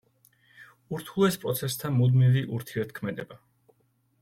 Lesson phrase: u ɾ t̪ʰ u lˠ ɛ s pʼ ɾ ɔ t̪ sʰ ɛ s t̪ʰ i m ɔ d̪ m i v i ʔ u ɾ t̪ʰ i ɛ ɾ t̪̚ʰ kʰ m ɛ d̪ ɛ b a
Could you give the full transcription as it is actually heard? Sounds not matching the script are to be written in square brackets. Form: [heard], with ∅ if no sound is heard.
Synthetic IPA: u ɾ t̪ʰ u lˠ ɛ s pʼ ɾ ɔ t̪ sʰ ɛ s t̪ʰ [a] m [u] d̪ m i v i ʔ u ɾ t̪ʰ i ɛ ɾ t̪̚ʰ kʰ m ɛ d̪ ɛ b a